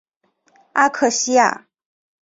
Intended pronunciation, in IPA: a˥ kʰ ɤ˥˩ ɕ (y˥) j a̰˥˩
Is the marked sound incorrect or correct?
incorrect